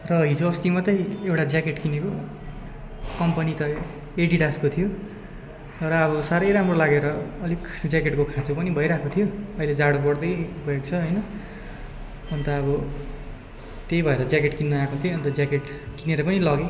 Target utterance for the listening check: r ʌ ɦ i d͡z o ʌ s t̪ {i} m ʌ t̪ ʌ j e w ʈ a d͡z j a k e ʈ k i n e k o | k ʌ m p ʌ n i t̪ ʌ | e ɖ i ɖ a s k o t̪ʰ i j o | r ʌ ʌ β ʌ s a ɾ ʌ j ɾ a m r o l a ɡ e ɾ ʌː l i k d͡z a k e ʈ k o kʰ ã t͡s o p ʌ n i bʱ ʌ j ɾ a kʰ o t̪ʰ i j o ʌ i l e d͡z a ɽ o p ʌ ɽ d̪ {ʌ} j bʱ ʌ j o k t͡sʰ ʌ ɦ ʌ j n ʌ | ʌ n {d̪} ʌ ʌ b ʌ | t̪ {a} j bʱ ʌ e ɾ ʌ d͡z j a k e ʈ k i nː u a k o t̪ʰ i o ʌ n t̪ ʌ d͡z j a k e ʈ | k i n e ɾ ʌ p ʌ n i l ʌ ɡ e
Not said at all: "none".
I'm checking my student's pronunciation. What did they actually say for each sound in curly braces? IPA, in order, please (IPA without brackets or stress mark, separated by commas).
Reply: i, ʌ, t̪, e